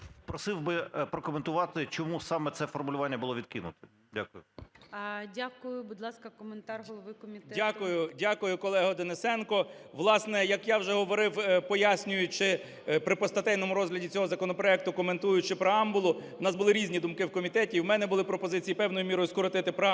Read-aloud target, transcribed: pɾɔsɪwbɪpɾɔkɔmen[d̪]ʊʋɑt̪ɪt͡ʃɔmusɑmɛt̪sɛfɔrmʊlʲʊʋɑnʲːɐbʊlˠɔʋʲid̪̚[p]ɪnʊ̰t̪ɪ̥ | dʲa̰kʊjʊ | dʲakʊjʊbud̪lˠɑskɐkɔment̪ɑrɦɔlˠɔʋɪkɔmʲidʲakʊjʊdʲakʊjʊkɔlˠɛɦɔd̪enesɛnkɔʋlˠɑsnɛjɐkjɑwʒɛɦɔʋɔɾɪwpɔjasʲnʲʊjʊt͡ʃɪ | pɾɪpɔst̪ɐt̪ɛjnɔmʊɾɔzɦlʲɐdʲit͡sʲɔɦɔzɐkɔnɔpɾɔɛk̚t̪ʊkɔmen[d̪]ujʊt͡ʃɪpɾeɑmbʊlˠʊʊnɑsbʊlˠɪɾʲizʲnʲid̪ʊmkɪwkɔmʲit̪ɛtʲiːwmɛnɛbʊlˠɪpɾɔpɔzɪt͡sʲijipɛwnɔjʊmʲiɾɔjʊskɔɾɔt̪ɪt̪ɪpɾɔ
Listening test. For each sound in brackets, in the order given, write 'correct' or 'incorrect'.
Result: incorrect: t̪, incorrect: k, incorrect: t̪

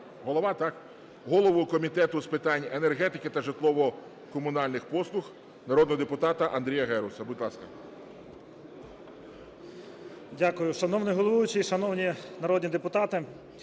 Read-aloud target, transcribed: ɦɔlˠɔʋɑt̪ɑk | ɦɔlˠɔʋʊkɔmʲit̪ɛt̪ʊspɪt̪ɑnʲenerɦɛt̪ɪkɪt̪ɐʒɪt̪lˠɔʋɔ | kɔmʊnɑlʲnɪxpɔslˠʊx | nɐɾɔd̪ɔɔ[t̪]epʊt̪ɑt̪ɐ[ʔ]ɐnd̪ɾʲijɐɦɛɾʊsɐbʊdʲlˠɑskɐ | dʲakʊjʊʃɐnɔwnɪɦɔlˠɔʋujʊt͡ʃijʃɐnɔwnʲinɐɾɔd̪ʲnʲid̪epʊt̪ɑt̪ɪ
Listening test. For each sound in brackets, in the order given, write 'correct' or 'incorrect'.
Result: incorrect: d̪, correct

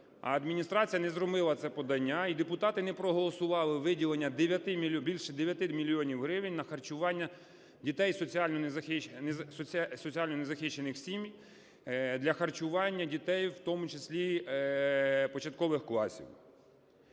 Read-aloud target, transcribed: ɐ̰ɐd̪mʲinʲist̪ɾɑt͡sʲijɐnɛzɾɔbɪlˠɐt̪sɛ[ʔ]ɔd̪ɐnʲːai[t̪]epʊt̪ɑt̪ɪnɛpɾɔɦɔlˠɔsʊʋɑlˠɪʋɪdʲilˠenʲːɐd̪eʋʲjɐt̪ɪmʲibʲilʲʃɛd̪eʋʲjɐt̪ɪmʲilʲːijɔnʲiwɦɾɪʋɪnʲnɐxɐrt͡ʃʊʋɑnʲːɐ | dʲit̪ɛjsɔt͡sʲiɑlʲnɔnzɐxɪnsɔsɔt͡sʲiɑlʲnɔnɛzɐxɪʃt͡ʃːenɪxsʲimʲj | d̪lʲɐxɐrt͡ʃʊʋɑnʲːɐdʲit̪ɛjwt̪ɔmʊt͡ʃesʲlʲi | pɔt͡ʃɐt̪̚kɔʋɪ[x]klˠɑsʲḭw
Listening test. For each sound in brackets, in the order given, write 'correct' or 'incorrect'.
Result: incorrect: p, incorrect: d̪, correct

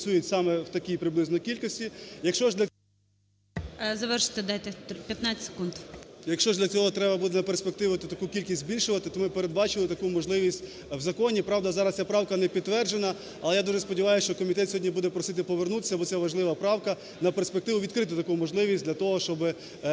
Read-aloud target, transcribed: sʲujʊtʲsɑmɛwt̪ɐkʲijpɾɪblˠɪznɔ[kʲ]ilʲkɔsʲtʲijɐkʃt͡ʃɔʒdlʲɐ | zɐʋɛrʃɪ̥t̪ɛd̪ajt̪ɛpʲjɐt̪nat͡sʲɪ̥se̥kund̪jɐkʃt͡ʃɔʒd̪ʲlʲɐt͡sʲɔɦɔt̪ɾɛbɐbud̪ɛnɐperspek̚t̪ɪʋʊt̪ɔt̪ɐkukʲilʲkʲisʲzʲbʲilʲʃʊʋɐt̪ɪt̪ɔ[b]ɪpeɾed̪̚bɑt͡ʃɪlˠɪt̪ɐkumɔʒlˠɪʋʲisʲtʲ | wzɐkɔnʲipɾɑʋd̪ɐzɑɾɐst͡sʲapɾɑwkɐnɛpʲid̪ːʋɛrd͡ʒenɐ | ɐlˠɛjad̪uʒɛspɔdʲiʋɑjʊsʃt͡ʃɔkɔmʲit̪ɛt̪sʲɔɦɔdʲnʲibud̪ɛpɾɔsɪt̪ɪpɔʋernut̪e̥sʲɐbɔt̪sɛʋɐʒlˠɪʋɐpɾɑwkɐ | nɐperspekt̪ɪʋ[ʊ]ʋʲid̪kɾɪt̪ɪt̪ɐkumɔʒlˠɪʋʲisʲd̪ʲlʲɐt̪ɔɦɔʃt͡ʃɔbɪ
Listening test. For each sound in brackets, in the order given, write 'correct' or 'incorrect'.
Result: correct, incorrect: m, correct

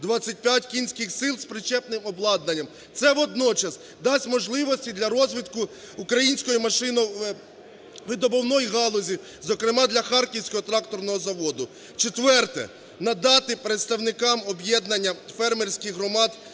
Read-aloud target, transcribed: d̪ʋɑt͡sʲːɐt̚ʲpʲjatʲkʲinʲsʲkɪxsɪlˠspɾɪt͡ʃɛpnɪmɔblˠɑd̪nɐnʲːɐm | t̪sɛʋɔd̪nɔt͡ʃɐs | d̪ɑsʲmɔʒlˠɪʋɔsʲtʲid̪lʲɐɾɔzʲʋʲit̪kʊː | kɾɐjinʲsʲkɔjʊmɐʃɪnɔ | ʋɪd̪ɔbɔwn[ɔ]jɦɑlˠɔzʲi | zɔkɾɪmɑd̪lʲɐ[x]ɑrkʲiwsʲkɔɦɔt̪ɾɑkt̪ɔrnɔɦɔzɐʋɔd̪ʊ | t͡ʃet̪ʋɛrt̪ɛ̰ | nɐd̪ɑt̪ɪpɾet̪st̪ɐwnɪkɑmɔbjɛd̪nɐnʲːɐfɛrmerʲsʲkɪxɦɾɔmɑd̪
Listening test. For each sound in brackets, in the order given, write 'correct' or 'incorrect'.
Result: correct, correct

